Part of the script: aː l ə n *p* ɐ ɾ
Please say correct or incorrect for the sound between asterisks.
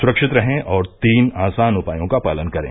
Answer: incorrect